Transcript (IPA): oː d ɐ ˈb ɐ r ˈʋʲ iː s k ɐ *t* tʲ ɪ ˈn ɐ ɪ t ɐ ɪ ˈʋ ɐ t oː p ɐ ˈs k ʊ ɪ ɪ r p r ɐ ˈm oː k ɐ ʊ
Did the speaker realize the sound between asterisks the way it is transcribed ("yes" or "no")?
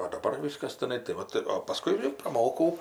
no